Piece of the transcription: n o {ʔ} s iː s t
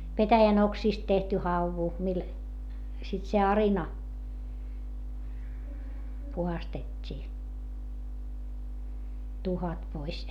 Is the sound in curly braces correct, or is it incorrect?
incorrect